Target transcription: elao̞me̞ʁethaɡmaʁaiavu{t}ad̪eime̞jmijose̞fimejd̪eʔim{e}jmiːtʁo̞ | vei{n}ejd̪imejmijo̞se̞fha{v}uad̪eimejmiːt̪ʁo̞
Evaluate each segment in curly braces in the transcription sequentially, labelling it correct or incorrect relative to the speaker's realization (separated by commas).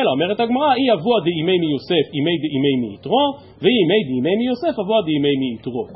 incorrect, correct, incorrect, correct